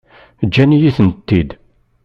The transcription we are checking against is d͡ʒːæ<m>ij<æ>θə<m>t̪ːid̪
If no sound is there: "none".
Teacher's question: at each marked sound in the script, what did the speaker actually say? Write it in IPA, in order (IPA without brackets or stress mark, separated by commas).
n, i, n